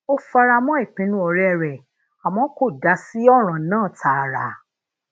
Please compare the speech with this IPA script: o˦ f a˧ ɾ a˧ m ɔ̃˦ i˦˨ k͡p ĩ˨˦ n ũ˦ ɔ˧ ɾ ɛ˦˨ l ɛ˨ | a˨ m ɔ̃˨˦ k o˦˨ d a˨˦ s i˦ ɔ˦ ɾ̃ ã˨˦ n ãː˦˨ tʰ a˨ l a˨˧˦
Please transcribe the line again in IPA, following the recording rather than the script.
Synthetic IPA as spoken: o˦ f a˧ ɾ a˧ m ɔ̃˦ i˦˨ k͡p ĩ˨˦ n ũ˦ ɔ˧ ɾ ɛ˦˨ ɾ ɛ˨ | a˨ m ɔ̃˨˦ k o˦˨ d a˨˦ s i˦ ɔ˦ ɾ̃ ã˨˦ n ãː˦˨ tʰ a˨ ɾ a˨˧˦